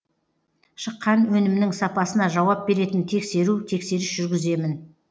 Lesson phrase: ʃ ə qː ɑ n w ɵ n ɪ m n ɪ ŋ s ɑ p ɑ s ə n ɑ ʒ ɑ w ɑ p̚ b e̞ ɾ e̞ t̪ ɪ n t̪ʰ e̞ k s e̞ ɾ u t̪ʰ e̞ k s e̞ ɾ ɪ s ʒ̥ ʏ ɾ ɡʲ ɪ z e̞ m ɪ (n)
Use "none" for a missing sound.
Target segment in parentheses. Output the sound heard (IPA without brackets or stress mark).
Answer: n